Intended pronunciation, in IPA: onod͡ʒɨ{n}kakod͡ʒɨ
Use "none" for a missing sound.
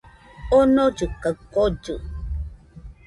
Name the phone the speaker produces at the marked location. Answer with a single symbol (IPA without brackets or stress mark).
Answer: none